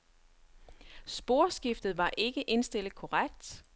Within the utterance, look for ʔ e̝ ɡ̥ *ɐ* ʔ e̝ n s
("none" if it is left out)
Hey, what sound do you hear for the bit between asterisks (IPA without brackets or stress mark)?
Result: ə